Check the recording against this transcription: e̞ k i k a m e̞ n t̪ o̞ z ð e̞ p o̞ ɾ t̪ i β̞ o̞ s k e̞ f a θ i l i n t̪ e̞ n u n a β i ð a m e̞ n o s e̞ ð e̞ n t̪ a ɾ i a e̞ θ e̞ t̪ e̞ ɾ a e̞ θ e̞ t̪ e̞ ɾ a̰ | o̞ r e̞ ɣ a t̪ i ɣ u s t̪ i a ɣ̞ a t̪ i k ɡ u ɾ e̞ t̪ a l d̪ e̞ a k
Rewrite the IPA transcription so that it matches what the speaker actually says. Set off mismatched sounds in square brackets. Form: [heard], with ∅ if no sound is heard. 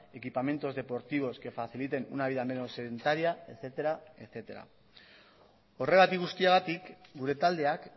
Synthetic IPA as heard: e̞ k i [p] a m e̞ n t̪ o̞ z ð e̞ p o̞ ɾ t̪ i β̞ o̞ s k e̞ f a θ i l i [∅] t̪ e̞ n u n a β i ð a m e̞ n o s e̞ ð e̞ n t̪ a ɾ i a e̞ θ e̞ t̪ e̞ ɾ a e̞ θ e̞ t̪ e̞ ɾ a̰ | o̞ r e̞ ɣ a t̪ i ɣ u s t̪ i a ɣ̞ a t̪ i k ɡ u ɾ e̞ t̪ a l d̪ e̞ a k